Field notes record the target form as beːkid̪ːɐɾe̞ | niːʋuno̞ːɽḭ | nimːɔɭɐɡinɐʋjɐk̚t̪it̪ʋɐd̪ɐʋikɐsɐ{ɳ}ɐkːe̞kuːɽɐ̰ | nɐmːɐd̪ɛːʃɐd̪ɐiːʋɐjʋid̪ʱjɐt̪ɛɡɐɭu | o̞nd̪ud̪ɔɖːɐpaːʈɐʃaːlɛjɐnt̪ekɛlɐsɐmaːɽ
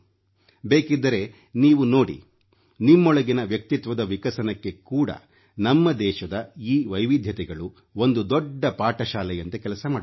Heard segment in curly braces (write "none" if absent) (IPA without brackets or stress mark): n